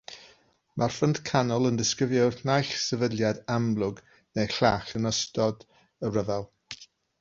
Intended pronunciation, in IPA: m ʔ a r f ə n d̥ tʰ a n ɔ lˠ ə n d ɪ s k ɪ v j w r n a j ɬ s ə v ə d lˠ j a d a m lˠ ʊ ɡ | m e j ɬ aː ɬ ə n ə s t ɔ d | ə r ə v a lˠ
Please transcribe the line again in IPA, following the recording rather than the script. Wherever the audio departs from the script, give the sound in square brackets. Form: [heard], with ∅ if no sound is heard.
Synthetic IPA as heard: m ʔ a r f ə n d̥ [kʰ] a n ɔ lˠ ə n d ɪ s k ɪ v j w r n a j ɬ s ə v ə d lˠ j a d a m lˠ ʊ ɡ | [n] e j ɬ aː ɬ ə n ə s t ɔ d | ə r ə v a lˠ